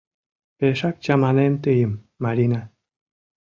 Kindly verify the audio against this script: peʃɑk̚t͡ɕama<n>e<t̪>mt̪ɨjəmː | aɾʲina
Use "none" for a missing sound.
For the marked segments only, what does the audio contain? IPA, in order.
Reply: n, none

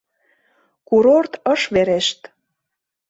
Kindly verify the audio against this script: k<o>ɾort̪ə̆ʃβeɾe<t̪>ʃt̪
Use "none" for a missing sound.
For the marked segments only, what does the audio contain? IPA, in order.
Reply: u, none

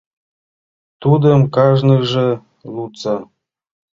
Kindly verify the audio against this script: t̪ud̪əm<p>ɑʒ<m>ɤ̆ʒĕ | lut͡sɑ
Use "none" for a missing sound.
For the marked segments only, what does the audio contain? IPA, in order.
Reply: k, n

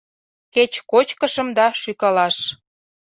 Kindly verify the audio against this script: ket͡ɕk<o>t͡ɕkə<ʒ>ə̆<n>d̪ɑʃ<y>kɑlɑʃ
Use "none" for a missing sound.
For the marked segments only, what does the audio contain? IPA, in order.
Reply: o, ʃ, m, y

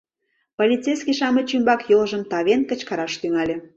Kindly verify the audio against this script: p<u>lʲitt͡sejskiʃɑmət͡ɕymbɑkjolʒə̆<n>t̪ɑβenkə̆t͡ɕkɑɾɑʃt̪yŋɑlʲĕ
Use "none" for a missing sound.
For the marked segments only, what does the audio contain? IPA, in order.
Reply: o, m

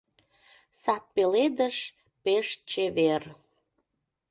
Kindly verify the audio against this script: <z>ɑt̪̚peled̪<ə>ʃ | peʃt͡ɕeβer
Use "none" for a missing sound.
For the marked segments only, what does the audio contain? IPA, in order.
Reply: s, ə

